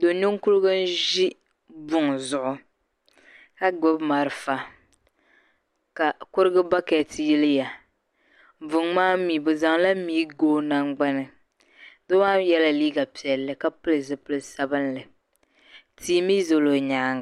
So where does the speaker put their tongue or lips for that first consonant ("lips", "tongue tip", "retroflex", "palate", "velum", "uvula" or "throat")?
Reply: tongue tip